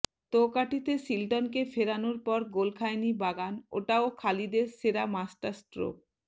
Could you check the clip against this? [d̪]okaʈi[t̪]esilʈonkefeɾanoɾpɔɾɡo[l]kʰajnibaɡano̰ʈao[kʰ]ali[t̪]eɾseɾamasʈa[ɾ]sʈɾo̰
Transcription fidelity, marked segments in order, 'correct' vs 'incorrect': incorrect: t̪, correct, correct, correct, incorrect: d̪, correct

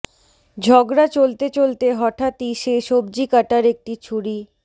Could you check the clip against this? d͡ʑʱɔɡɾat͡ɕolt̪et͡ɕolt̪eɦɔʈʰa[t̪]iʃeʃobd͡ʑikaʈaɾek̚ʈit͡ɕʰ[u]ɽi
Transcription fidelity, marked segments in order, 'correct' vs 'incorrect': correct, correct

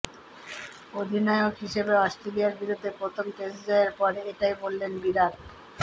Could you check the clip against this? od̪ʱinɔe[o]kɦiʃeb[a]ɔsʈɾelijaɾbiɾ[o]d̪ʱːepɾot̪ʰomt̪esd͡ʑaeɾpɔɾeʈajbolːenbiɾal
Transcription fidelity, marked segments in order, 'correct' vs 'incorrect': correct, incorrect: e, incorrect: u

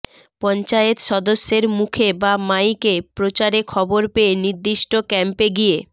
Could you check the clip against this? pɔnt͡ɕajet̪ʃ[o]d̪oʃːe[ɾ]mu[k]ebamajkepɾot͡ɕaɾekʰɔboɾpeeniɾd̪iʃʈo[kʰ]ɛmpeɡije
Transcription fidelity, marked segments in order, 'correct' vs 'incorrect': incorrect: ɔ, correct, incorrect: kʰ, incorrect: k

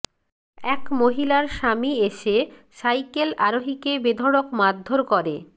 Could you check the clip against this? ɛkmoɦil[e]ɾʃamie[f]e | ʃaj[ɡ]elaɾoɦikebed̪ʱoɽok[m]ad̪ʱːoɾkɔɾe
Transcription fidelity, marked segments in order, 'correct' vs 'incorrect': incorrect: a, incorrect: ʃ, incorrect: k, correct

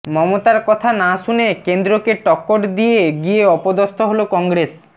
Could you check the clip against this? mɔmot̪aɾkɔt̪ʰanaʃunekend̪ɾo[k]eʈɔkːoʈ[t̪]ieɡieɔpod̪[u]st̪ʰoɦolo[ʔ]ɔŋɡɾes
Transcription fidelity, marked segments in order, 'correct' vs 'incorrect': correct, incorrect: d̪, incorrect: o, incorrect: k

